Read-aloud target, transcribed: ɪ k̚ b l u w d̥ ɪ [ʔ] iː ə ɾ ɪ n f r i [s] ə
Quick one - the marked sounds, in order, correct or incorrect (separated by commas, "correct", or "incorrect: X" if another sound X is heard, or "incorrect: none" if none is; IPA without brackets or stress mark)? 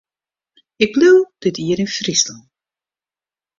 incorrect: t, correct